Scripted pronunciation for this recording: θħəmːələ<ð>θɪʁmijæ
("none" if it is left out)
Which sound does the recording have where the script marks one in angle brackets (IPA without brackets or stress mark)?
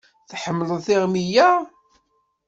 ð